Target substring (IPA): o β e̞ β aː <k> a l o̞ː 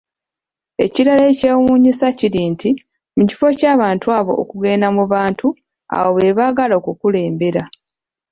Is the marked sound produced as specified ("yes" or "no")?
no